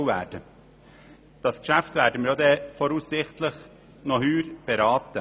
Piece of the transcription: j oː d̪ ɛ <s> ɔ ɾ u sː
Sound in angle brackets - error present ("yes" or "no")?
yes